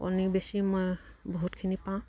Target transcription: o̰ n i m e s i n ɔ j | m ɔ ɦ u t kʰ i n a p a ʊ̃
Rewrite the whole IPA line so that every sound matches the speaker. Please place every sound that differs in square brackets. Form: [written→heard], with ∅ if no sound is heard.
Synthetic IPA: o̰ n i [m→b] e s i [n→m] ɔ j | [m→b] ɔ ɦ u t kʰ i n [a→i] p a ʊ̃